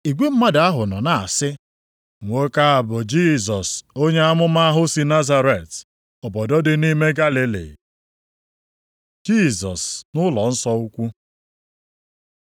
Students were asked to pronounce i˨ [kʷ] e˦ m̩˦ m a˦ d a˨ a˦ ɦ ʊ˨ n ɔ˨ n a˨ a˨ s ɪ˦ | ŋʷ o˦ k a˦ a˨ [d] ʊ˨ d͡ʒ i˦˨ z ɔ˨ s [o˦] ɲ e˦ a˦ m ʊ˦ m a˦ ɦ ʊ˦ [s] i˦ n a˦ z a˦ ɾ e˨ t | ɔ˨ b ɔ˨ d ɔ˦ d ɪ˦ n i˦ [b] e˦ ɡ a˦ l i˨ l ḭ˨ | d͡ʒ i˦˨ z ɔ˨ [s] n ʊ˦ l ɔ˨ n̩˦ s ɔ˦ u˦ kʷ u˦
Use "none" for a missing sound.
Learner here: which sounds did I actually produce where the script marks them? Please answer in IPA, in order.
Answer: ɡʷ, b, o˦, s, m, s

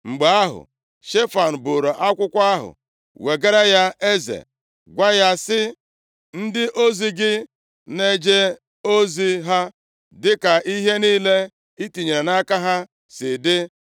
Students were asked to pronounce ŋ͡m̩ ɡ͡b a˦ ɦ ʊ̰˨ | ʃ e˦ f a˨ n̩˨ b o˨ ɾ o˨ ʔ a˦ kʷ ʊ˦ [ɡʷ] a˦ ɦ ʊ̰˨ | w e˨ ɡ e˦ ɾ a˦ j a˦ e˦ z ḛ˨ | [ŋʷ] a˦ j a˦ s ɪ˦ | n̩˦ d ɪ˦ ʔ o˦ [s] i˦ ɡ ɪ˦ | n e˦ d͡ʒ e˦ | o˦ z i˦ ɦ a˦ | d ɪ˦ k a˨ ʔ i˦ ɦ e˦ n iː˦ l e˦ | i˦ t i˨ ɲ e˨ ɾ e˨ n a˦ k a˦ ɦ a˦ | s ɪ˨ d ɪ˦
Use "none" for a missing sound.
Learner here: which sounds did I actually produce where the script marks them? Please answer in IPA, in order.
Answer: kʷ, ɡʷ, z

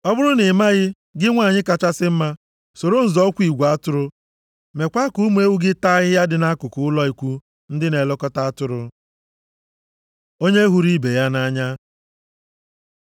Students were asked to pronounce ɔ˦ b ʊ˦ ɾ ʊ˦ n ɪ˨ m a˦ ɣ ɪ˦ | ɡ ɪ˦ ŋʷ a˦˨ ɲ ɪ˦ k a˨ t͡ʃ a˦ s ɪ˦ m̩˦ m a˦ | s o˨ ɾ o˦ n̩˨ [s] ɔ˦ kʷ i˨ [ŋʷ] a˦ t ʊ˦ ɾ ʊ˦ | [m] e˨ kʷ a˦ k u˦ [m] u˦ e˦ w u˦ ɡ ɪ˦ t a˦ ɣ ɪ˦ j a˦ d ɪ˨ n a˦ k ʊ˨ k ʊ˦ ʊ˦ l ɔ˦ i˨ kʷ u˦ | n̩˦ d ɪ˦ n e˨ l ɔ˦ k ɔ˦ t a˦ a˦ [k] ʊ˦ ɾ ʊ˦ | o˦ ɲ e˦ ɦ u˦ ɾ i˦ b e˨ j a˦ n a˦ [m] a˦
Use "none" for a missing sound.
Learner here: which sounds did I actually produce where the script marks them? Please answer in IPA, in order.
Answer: z, ɡʷ, m, m, t, ɲ

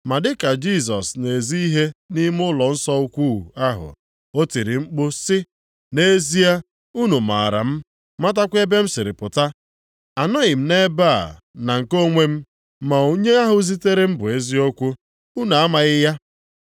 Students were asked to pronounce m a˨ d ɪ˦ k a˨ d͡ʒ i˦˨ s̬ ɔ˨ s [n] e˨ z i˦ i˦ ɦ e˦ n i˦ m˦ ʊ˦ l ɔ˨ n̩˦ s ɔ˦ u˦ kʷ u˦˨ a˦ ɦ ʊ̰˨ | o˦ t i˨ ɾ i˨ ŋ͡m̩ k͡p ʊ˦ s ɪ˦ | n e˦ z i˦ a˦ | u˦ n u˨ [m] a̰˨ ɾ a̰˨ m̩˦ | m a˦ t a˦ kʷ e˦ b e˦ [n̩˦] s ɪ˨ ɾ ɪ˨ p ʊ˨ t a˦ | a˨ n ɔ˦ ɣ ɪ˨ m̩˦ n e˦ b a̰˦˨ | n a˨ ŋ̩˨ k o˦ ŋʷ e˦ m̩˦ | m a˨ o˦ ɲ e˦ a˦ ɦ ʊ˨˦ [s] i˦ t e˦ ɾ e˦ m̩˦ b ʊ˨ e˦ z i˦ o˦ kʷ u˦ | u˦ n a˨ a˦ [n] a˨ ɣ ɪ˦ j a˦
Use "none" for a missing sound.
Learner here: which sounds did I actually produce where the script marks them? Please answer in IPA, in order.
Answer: n, m, m̩˦, z, m

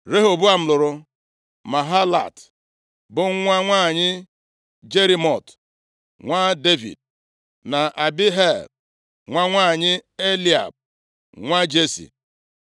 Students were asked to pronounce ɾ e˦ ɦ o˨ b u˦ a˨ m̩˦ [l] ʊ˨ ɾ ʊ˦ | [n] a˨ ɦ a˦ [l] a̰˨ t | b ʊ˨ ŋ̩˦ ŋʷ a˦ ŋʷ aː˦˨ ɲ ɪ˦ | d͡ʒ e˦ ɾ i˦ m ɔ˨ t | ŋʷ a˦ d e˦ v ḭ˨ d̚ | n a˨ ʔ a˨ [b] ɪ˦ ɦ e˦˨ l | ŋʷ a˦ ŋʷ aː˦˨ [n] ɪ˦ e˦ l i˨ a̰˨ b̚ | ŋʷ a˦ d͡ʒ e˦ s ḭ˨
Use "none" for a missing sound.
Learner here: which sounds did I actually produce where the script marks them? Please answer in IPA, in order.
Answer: l, m, l, b, ɲ

